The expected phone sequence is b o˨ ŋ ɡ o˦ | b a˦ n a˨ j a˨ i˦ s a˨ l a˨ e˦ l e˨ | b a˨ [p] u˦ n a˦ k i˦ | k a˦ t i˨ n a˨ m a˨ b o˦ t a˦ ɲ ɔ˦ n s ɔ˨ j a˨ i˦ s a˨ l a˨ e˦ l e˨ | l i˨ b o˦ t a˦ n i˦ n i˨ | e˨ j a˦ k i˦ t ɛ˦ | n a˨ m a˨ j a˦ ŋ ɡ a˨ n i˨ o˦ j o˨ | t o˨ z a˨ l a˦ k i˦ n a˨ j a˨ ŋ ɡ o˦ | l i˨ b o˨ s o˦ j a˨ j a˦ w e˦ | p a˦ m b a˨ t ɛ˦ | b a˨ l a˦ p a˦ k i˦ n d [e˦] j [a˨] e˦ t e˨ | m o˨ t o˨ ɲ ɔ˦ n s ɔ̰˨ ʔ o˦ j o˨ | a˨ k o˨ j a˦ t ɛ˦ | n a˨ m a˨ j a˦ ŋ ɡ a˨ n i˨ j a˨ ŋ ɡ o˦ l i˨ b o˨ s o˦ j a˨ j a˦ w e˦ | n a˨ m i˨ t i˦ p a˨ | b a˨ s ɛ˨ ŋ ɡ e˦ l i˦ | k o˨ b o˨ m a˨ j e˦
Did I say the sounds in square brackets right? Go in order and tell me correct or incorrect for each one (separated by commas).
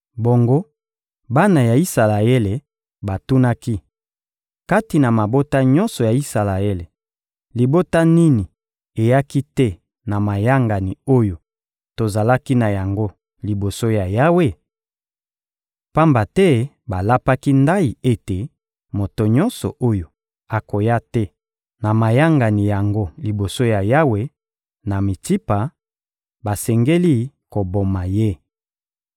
incorrect, incorrect, incorrect